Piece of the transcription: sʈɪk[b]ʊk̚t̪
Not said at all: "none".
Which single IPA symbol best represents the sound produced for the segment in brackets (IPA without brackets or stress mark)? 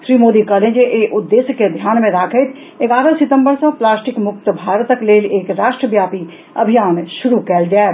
m